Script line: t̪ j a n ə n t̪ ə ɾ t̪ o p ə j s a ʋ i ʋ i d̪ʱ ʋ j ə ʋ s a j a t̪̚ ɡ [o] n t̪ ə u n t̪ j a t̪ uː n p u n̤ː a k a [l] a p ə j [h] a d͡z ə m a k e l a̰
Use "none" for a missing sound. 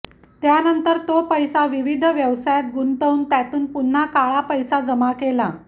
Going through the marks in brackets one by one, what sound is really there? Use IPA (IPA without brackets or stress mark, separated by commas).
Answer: u, ɭ, s